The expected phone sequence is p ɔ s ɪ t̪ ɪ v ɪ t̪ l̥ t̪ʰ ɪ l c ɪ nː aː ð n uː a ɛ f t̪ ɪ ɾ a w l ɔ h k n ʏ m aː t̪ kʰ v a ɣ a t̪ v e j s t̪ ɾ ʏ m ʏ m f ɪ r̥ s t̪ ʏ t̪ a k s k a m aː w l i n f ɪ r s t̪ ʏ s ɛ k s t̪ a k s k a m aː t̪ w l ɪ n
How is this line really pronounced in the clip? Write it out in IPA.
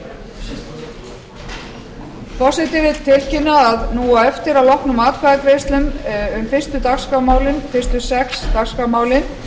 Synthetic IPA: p ɔ s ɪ t̪ ɪ v ɪ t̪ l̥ t̪ʰ ɪ l c ɪ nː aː ð n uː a ɛ f t̪ ɪ ɾ a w l ɔ h k n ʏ m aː t̪ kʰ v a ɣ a t̪ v e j s t̪ l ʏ m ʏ m f ɪ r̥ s t̪ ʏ t̪ a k s k a m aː w l ɪ n f ɪ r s t̪ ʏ s ɛ k s t̪ a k s k a m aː w l ɪ n